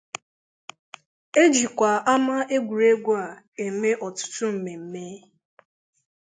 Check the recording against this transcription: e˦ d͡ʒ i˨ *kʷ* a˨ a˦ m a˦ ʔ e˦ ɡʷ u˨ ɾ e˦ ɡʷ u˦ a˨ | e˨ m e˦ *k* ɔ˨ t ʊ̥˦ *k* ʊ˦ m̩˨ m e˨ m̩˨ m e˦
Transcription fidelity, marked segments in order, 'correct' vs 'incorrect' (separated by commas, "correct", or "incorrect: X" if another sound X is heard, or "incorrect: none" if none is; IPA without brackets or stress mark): correct, incorrect: ʔ, incorrect: t